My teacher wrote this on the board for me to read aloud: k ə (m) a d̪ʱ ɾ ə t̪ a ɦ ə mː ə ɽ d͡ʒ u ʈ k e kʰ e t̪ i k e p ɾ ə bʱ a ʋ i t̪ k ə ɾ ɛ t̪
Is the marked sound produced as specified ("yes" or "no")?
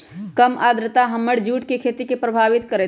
yes